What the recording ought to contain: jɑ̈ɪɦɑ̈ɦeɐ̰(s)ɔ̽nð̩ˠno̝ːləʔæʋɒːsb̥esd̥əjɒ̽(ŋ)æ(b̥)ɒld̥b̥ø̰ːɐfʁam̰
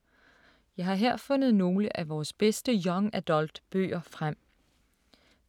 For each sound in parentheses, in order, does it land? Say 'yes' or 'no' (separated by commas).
no, yes, no